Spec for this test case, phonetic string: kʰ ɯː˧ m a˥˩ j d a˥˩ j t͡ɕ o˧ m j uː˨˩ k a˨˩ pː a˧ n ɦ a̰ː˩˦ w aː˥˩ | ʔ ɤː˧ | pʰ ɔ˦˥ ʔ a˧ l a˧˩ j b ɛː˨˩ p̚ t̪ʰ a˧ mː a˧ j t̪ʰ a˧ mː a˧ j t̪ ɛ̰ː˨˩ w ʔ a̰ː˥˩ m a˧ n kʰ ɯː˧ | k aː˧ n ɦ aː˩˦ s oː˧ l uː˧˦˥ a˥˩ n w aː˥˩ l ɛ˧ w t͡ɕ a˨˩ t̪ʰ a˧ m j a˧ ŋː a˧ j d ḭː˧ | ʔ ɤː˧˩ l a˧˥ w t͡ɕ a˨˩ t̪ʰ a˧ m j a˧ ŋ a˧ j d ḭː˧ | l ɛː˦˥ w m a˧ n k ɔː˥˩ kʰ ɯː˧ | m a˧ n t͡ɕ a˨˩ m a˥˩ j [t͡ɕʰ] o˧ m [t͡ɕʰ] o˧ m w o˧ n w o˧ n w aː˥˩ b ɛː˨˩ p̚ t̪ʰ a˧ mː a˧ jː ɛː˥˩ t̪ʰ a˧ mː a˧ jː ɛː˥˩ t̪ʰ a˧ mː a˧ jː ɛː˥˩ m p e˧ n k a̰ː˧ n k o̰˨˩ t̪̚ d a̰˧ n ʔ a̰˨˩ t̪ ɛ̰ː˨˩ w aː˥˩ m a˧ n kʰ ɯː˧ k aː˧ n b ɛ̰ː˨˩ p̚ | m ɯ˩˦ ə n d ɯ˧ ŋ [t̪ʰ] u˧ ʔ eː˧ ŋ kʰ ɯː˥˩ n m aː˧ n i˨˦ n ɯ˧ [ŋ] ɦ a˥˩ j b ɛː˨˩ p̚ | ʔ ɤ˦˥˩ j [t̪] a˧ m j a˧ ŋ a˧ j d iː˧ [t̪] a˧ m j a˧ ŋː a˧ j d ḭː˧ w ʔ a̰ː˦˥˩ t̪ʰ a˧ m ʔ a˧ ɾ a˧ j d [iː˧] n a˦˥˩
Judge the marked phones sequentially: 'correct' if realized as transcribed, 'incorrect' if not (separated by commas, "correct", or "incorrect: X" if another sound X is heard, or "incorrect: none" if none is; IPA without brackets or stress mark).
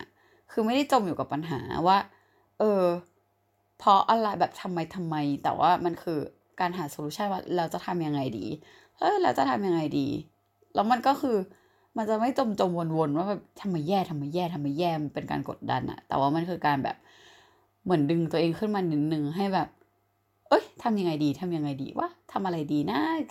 incorrect: t͡ɕ, incorrect: t͡ɕ, incorrect: t̪, correct, incorrect: t̪ʰ, incorrect: t̪ʰ, correct